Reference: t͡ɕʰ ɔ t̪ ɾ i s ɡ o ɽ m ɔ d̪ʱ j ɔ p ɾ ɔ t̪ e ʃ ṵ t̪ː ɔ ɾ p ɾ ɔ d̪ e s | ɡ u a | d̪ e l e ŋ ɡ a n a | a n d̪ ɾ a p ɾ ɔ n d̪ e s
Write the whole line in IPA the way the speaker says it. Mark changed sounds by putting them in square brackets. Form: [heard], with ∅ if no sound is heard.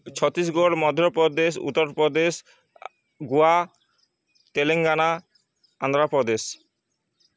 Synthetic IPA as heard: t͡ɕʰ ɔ t̪ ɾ i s ɡ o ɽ m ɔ d̪ʱ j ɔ p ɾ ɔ [d̪] e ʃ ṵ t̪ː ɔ ɾ p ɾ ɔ d̪ e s | ɡ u a | [t̪] e l e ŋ ɡ a n a | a n d̪ ɾ a p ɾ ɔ [∅] d̪ e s